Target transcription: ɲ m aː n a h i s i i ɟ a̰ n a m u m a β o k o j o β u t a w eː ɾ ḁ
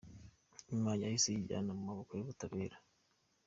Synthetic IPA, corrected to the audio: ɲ m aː ɲ a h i s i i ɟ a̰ n a m u m a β o k o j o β u t a β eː ɾ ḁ